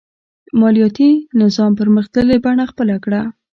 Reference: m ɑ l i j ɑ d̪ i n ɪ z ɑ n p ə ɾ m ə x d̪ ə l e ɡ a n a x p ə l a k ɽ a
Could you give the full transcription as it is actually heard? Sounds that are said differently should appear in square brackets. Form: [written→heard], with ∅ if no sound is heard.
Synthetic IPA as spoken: m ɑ l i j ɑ [d̪→t̪] i n ɪ z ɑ [n→m] p ə ɾ m ə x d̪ ə l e [ɡ→b] a [n→ɳ] a x p ə l a k ɽ a